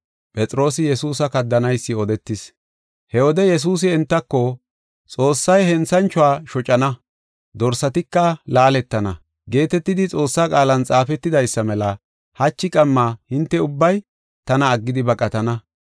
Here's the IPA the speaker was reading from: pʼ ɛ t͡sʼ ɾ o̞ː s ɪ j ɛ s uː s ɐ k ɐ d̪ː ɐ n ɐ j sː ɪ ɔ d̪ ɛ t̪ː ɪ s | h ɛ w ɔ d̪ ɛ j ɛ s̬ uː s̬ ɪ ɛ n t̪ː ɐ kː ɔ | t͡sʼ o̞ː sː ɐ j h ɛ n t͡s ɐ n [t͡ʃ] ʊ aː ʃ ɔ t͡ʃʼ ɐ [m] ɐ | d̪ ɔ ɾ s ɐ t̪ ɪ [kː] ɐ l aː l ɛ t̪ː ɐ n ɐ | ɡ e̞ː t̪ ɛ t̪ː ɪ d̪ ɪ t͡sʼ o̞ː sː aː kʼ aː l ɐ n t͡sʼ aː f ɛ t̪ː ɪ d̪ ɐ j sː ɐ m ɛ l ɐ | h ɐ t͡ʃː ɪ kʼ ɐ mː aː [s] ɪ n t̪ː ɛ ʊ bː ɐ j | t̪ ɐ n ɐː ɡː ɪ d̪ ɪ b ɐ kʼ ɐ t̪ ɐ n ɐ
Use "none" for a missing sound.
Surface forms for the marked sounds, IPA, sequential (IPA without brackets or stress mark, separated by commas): t͡ʃ, n, kː, h